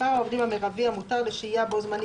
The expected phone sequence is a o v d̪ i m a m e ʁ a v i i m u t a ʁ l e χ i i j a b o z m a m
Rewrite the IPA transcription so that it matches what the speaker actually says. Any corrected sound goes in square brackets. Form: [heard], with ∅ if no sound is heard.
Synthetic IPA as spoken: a o v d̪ i m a m e ʁ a v i [a] m u t a ʁ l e [ʃ] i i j a b o z m a [n]